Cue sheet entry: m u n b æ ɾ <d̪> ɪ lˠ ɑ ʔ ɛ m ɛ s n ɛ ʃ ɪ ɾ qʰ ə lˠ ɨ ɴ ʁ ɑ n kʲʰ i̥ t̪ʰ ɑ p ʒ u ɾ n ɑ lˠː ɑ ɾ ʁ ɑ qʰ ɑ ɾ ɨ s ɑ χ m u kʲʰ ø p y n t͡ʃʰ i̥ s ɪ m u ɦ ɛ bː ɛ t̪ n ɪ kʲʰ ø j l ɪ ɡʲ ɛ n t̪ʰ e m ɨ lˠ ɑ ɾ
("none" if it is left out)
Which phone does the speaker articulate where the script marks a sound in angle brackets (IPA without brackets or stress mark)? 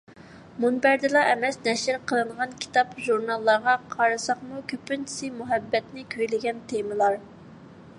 d̪